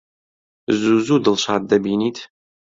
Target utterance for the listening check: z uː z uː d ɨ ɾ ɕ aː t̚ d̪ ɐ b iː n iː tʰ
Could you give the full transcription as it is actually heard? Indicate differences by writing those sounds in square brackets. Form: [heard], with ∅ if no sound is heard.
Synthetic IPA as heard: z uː z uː d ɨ [l] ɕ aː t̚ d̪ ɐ b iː n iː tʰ